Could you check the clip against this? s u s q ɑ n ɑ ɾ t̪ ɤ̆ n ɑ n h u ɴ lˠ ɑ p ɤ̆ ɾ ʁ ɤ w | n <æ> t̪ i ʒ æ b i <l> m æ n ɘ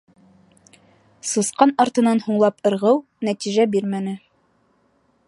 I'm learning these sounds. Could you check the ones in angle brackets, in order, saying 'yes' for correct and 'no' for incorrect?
yes, no

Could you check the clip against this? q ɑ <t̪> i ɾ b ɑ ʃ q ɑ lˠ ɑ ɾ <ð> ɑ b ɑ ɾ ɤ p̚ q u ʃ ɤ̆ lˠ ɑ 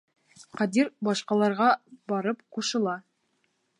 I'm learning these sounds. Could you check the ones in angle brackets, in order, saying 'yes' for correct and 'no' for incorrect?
no, no

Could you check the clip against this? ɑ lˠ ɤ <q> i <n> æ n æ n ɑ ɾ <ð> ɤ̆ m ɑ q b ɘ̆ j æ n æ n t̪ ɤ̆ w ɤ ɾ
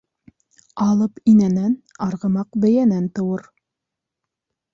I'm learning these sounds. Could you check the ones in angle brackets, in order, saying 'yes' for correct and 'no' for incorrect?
no, yes, no

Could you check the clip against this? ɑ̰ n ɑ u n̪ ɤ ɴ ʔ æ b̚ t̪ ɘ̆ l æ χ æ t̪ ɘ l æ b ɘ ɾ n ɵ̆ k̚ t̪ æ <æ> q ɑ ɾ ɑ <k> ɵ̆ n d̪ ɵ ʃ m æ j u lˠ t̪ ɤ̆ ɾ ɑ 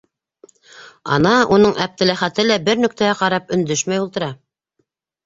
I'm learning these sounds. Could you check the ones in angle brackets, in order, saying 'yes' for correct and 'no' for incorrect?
yes, no

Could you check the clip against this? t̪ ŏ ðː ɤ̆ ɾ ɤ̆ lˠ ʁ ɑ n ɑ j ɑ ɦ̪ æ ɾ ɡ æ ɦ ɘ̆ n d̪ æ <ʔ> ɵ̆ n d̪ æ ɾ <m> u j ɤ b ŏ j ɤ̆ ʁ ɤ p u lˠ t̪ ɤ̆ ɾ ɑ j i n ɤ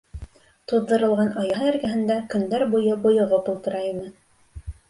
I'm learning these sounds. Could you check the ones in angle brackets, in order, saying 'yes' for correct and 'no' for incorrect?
no, no

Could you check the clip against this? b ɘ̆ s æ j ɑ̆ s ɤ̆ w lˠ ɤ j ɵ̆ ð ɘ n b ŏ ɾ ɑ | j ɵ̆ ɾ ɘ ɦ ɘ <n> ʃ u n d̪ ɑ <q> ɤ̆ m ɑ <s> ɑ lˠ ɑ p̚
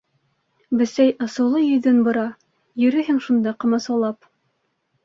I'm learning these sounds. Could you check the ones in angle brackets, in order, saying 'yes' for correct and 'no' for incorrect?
no, yes, yes

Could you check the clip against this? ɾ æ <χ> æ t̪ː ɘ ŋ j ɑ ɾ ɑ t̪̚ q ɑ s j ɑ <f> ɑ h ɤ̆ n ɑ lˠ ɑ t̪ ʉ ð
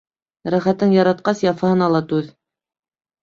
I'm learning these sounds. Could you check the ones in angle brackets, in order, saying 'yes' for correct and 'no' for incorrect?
yes, yes

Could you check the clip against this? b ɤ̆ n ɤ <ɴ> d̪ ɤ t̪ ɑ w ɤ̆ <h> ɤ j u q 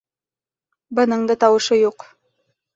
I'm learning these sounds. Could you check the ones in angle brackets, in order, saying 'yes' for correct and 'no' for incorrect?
yes, no

